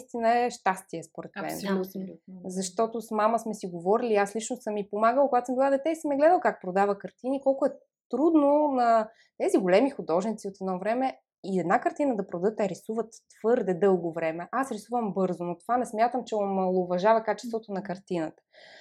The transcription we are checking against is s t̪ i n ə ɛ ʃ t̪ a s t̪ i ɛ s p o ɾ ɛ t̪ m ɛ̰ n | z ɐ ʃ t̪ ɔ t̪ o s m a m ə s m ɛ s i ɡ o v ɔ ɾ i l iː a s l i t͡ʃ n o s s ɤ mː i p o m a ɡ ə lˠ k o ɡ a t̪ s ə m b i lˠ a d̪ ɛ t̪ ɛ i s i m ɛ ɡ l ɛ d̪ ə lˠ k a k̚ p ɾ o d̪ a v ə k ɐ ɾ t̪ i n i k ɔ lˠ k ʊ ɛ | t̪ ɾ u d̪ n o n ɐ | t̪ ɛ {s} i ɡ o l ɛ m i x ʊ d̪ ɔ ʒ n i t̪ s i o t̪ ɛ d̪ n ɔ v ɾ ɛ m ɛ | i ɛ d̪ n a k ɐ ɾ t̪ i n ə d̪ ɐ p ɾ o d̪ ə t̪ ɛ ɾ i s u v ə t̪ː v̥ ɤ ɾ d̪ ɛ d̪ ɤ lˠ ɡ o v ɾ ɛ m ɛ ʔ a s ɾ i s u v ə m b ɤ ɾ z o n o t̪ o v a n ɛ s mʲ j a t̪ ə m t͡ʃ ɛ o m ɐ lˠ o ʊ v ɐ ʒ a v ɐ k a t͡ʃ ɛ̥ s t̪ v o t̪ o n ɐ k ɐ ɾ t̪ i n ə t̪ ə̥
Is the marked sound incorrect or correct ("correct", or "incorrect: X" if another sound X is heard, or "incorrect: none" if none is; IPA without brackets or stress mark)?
incorrect: z